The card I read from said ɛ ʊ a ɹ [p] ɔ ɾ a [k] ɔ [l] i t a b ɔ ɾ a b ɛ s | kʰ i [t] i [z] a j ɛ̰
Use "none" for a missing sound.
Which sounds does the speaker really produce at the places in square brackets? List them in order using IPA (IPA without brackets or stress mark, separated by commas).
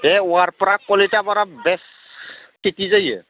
p, k, l, t, z